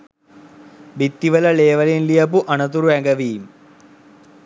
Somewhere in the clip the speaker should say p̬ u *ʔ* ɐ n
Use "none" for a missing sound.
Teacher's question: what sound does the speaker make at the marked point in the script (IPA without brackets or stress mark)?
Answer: ʔ